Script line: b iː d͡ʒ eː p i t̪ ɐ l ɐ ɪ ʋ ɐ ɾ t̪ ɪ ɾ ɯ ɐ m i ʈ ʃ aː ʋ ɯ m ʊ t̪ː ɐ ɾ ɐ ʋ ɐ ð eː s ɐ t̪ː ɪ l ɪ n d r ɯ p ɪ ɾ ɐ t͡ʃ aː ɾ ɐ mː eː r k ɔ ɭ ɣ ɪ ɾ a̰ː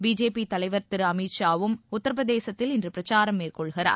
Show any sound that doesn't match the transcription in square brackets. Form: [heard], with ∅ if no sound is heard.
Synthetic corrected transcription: b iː d͡ʒ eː p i t̪ ɐ l ɐ ɪ ʋ ɐ ɾ t̪ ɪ ɾ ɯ ɐ m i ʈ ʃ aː ʋ ɯ m ʊ t̪ː ɐ ɾ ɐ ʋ ɐ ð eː s ɐ t̪ː ɪ l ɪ n d r ɯ p ɪ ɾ ɐ t͡ʃ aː ɾ ɐ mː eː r k ɔ ɭ ɣ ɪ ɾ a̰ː